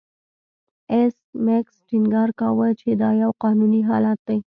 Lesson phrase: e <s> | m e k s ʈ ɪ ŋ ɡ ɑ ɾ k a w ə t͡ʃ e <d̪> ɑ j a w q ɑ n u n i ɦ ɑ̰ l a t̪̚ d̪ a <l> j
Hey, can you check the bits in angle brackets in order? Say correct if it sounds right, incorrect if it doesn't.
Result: correct, correct, incorrect: none

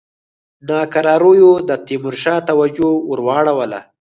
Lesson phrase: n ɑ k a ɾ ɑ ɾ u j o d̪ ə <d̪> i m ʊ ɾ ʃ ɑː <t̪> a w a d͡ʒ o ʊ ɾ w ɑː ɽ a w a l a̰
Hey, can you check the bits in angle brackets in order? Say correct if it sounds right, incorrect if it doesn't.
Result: incorrect: t̪, correct

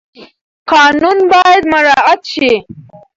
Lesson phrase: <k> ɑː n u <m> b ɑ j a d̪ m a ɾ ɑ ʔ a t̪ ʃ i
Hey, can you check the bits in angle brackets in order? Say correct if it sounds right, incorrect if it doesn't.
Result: incorrect: q, incorrect: n

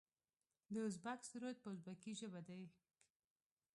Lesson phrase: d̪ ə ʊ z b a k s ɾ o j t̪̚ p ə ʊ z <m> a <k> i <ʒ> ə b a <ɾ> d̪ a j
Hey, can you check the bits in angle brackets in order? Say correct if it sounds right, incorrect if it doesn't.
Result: incorrect: b, correct, correct, incorrect: none

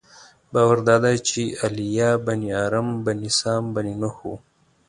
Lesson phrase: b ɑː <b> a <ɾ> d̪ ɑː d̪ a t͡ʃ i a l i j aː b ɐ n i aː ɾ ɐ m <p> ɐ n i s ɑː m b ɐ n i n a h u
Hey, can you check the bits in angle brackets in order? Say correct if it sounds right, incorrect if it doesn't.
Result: incorrect: w, correct, incorrect: b

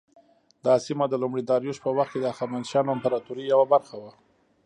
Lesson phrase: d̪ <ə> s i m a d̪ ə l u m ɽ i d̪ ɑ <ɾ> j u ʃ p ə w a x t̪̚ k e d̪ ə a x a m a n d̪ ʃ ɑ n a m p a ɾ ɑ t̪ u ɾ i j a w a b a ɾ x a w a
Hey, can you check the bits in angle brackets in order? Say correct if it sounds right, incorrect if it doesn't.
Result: incorrect: ɑ, correct

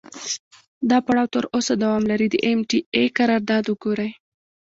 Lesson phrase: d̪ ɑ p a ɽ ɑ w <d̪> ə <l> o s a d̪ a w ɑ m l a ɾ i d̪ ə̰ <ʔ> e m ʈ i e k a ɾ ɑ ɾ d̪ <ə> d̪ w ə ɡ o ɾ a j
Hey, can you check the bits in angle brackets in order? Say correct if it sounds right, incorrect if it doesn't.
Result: incorrect: t̪, incorrect: ɾ, correct, incorrect: ɑ

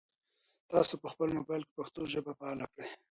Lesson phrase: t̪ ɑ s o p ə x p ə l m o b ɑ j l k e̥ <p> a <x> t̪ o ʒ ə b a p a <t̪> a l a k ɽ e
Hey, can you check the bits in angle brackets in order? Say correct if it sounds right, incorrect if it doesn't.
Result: correct, correct, incorrect: none

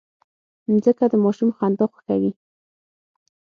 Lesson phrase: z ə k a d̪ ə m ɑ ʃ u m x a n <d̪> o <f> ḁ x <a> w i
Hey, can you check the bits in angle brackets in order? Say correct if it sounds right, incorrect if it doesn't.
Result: correct, incorrect: x, correct

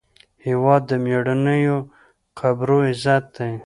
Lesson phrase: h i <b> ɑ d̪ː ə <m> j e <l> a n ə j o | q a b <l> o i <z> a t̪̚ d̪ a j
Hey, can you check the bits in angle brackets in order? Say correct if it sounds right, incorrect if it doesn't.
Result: incorrect: w, correct, incorrect: ɽ, incorrect: ɾ, correct

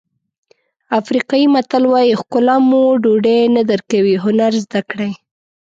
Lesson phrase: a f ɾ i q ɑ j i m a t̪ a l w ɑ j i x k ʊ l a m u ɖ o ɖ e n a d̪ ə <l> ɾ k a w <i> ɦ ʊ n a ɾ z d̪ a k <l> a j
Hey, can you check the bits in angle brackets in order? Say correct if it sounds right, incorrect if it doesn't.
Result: incorrect: none, correct, incorrect: ɽ

